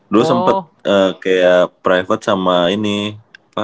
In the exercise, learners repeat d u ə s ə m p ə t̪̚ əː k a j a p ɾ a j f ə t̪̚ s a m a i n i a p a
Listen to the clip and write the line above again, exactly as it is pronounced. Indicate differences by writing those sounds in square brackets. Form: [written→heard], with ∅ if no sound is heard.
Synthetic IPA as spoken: d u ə s ə m p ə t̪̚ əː k a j a p ɾ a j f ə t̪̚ s a m a i n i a p a